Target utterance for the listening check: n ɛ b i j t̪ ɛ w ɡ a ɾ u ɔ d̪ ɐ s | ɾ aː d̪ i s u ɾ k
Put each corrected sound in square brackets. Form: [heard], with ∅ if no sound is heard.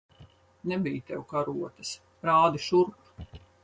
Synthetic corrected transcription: n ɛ b i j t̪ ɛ w [k] a ɾ u ɔ [t̪] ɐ s | ɾ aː d̪ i [ʃ] u ɾ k